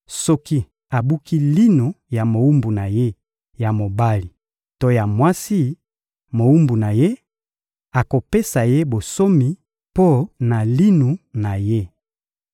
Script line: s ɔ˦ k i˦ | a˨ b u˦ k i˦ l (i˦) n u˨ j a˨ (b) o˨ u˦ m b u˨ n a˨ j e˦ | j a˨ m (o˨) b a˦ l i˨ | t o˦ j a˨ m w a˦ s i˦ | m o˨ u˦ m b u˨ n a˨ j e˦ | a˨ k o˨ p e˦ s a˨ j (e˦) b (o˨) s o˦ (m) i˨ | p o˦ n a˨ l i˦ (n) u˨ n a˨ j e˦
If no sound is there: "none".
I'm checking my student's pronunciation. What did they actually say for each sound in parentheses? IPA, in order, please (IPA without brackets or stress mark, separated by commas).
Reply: i˦, m, o˨, e˦, o˨, m, n